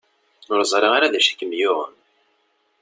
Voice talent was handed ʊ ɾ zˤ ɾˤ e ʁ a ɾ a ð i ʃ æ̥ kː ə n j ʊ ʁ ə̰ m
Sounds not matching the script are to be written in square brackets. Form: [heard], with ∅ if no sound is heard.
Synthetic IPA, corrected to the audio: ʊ ɾ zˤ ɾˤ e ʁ a ɾ a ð [æ] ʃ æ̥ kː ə [m] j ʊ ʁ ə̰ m